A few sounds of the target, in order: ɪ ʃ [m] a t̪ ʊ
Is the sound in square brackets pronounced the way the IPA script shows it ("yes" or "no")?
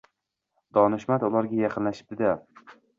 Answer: yes